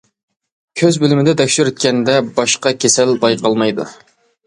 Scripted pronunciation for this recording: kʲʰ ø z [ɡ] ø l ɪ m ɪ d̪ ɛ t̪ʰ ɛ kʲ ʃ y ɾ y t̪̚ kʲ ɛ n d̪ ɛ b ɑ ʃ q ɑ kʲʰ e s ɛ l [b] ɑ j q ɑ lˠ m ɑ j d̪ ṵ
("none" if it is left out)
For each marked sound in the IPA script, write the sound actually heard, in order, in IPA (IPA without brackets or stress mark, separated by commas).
b, b